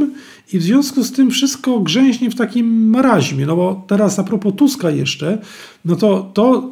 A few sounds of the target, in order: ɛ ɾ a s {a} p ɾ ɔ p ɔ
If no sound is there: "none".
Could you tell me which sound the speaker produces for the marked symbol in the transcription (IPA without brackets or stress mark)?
a